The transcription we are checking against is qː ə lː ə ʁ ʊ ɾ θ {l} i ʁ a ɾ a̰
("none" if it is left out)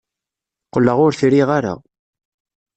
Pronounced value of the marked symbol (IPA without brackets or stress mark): ɾ